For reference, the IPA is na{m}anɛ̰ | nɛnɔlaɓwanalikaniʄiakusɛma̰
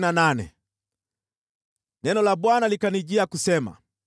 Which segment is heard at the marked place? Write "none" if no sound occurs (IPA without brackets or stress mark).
n